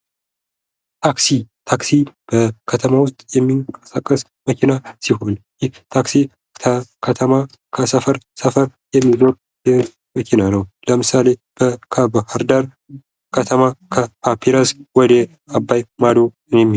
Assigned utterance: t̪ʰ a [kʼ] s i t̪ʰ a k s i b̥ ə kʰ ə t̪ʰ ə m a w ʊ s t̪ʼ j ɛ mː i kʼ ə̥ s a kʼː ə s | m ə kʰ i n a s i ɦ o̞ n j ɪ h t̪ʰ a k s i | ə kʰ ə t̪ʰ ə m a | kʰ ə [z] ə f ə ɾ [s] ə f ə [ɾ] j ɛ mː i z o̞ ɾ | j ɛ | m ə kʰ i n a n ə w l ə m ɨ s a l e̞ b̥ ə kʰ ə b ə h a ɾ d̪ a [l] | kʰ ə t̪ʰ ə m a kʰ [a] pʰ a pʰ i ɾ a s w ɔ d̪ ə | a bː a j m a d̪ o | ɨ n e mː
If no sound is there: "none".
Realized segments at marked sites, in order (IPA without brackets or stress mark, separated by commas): k, s, s, ɾ, ɾ, ə